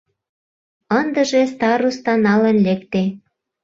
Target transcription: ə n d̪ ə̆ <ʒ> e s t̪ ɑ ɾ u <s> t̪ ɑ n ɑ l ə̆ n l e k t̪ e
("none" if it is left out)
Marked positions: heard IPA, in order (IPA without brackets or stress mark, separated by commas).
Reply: ʒ, s